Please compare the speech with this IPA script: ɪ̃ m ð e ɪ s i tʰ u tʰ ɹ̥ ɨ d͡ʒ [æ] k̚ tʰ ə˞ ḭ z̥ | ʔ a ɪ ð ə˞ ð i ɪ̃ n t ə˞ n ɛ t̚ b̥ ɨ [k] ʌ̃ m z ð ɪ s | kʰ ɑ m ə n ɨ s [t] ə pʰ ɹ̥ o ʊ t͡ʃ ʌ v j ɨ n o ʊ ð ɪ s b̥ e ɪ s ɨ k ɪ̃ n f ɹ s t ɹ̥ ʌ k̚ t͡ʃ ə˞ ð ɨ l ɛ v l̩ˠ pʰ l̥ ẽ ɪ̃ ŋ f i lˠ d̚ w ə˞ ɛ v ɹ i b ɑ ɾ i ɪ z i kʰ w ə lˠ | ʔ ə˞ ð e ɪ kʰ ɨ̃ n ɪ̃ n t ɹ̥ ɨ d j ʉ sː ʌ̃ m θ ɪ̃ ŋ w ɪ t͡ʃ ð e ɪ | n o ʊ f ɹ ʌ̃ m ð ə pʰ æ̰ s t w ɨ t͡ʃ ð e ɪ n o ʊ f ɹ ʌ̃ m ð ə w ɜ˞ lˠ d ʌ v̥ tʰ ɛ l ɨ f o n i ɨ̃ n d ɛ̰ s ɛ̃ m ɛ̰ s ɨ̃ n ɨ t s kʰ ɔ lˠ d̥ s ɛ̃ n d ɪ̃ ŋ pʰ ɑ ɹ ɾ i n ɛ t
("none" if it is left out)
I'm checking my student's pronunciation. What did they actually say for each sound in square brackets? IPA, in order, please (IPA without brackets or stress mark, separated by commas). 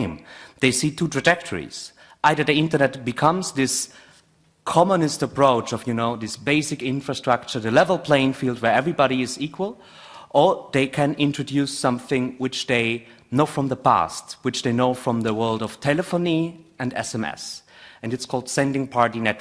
ɛ, kʰ, t